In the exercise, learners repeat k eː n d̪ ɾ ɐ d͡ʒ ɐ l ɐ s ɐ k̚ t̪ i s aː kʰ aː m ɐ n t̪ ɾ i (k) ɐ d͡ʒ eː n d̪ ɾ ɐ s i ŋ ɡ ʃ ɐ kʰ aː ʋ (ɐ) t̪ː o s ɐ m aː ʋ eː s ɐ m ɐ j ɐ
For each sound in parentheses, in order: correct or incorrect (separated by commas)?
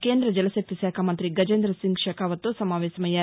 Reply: incorrect, correct